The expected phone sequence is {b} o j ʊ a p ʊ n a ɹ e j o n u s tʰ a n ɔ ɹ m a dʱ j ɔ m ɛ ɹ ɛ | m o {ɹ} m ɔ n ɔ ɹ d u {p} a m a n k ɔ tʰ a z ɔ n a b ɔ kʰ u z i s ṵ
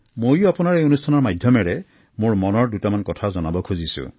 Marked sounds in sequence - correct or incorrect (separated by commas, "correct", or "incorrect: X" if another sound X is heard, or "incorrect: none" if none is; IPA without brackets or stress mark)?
incorrect: m, correct, incorrect: t